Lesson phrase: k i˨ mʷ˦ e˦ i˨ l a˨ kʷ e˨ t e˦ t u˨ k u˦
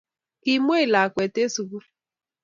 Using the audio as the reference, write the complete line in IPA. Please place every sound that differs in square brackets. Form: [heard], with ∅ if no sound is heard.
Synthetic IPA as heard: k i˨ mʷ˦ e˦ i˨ l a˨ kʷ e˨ t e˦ [s] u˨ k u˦